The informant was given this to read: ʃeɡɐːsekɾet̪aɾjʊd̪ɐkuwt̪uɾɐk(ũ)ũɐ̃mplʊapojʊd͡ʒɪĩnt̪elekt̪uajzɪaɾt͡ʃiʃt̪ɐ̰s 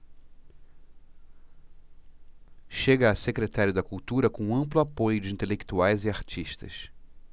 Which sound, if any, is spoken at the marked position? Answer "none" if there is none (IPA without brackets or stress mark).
õ